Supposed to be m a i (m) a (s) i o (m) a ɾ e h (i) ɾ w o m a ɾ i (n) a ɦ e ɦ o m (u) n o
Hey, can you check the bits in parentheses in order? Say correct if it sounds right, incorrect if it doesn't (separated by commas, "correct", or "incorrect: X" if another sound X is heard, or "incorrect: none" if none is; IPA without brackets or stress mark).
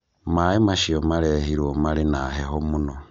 correct, incorrect: ʃ, correct, correct, correct, correct